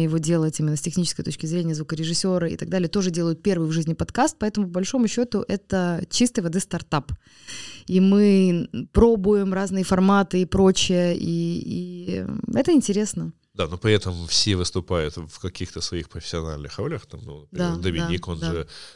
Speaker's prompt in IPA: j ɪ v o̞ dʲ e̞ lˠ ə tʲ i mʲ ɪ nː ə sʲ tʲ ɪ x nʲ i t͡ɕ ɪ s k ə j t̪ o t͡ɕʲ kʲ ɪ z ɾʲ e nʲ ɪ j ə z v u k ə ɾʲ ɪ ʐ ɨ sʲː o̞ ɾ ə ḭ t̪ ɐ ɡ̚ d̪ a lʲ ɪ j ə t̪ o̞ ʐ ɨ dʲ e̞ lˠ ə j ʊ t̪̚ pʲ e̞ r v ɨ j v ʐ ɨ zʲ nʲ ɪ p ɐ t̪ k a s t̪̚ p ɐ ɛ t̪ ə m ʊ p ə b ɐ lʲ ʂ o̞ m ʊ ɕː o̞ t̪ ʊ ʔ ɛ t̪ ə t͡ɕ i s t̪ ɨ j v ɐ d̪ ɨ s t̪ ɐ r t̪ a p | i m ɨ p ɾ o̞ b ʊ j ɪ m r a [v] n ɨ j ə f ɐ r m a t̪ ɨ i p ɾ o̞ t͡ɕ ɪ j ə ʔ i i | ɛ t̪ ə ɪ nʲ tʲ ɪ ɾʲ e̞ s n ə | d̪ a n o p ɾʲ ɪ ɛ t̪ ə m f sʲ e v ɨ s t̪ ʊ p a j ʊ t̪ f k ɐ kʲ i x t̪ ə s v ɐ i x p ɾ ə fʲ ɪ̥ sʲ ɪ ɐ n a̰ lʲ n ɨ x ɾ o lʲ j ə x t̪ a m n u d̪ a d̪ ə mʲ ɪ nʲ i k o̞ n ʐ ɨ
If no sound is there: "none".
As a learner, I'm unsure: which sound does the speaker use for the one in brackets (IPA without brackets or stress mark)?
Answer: z